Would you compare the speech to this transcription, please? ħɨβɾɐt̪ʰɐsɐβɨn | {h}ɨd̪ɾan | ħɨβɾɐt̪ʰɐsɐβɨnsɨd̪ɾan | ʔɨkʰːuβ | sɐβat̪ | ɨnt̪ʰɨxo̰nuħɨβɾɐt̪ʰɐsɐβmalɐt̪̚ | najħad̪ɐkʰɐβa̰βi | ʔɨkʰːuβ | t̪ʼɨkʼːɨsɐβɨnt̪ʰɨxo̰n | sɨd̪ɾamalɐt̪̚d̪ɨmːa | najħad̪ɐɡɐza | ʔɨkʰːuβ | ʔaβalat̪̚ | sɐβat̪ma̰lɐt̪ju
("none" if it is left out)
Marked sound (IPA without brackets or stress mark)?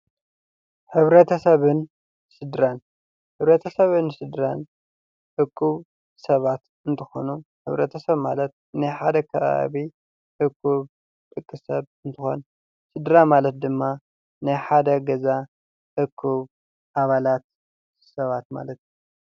s